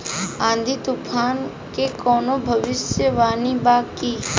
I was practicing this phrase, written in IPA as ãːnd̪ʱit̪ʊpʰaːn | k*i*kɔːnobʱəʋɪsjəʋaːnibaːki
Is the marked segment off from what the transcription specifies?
yes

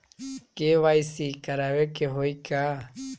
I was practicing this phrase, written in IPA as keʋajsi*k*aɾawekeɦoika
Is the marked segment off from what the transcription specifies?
no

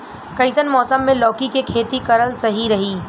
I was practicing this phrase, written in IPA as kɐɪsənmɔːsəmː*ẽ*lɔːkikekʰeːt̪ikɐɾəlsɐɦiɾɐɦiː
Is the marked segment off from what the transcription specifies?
no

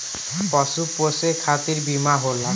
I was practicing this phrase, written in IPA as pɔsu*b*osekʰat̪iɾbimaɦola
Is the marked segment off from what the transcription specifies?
yes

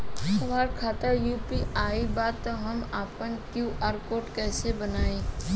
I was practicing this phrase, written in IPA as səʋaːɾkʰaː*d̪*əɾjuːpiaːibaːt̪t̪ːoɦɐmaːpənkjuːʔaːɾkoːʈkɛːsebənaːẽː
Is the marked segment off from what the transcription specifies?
yes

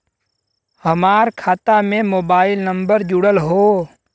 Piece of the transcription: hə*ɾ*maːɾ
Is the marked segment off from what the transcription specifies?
yes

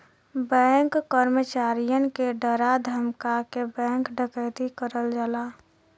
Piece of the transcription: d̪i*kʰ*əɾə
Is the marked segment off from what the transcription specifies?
yes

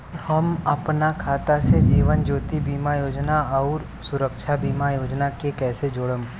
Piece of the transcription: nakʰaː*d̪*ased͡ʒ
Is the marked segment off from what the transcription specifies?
yes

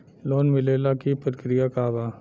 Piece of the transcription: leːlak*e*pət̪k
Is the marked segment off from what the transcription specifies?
yes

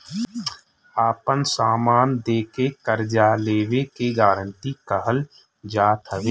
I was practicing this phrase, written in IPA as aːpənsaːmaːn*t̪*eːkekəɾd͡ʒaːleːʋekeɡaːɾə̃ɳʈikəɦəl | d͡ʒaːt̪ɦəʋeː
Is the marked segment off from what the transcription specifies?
yes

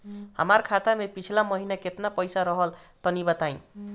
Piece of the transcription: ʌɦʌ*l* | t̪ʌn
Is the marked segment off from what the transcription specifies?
no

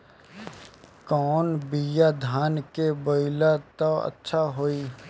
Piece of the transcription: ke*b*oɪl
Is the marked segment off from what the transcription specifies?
no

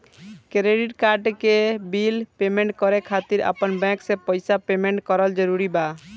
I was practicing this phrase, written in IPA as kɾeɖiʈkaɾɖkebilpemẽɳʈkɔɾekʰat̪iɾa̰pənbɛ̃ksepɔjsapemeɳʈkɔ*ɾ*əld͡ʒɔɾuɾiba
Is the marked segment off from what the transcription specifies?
no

